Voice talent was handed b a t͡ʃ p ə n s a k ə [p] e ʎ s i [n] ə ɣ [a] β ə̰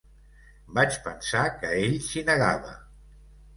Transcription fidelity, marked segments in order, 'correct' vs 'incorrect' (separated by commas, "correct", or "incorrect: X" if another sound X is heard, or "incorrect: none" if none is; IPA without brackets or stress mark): incorrect: none, correct, correct